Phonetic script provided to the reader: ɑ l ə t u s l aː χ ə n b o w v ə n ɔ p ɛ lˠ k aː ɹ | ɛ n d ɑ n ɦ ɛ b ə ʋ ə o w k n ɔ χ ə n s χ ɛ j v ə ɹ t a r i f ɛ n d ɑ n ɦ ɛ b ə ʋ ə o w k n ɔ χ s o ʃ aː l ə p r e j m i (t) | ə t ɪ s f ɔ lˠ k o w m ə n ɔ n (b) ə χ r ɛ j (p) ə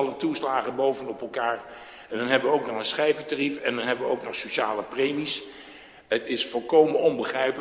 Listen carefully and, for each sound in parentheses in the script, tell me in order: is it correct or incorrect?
incorrect: s, correct, correct

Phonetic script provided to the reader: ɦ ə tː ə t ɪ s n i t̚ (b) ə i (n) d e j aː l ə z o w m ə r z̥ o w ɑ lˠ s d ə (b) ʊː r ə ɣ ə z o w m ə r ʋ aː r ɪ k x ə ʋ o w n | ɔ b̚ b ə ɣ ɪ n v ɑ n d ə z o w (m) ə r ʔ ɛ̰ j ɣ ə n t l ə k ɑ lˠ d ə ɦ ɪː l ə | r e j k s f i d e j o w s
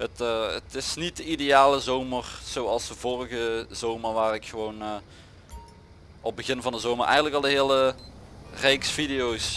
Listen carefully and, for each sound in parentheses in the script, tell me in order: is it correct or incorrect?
incorrect: d, incorrect: none, incorrect: v, correct

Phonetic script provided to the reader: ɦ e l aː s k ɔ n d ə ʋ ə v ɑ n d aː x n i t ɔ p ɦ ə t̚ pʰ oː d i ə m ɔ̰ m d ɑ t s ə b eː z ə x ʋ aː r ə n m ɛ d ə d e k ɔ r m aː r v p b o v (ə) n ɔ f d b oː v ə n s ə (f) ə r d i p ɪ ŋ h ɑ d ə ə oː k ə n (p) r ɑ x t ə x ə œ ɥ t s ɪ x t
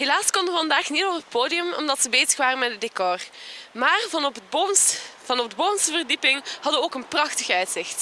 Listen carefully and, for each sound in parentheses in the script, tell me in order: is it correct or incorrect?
incorrect: ɑ, incorrect: v, correct

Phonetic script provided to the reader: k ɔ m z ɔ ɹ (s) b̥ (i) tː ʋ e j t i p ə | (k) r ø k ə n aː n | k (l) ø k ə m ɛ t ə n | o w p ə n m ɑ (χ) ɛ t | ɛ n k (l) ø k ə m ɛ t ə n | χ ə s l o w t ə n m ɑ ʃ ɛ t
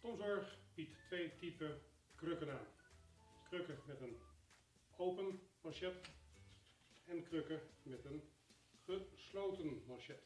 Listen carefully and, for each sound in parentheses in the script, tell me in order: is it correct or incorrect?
incorrect: χ, correct, correct, incorrect: r, incorrect: ʃ, incorrect: r

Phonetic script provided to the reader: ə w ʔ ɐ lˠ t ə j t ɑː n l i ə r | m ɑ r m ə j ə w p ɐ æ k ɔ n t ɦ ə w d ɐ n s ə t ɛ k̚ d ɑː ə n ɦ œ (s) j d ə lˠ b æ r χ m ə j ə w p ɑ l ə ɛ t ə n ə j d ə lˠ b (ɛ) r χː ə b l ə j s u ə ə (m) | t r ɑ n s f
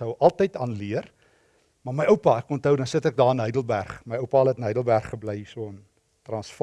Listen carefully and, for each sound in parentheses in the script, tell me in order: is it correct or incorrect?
incorrect: none, incorrect: æ, incorrect: n

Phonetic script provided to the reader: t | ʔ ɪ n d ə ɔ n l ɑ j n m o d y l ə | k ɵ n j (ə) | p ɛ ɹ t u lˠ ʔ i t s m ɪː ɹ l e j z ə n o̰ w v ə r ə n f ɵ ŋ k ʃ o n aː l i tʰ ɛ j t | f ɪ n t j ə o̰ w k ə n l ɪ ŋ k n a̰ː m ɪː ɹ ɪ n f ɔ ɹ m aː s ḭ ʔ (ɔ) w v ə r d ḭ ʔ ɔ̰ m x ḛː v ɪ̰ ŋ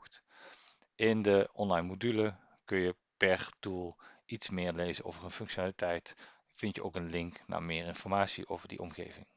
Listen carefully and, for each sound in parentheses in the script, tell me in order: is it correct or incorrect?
correct, incorrect: o

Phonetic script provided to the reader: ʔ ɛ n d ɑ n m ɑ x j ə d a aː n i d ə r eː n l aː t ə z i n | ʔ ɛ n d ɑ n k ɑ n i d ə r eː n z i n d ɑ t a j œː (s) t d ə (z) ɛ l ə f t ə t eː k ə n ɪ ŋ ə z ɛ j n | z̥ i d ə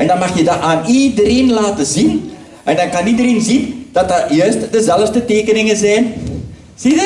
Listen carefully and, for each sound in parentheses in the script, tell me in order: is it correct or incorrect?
correct, correct

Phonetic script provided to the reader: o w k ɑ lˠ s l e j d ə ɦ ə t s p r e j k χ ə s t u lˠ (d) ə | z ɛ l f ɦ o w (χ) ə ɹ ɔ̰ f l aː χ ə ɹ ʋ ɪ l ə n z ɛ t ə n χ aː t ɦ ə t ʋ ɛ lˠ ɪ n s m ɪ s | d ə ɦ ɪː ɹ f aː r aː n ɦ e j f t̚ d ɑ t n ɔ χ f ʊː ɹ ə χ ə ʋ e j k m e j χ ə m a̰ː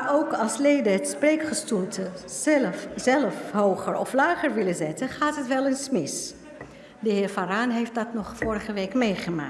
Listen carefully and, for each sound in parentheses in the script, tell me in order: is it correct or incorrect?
incorrect: t, correct

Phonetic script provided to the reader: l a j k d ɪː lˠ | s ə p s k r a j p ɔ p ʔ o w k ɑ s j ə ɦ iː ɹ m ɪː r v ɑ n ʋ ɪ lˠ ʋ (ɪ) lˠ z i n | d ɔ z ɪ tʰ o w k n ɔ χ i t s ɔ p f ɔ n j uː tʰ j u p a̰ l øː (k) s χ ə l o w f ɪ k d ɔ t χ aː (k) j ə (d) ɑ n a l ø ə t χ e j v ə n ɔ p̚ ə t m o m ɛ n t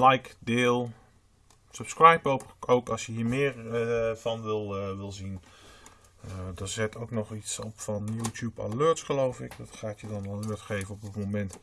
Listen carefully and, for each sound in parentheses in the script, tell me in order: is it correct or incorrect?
correct, incorrect: t, incorrect: t, correct

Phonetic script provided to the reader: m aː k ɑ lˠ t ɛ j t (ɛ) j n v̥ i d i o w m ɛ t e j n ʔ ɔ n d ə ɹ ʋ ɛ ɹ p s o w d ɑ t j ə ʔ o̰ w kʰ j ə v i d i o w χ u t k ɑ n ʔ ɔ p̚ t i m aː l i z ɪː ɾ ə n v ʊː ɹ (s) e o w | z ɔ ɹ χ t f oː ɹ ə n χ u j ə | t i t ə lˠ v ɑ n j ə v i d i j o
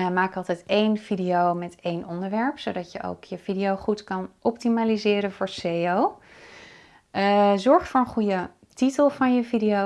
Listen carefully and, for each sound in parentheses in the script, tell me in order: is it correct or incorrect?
incorrect: e, correct

